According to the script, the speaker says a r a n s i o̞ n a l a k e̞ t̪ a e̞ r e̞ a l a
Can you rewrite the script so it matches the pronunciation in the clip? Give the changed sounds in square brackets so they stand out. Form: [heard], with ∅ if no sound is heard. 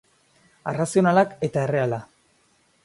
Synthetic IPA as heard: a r a [∅] s i o̞ n a l a k e̞ t̪ a e̞ r e̞ a l a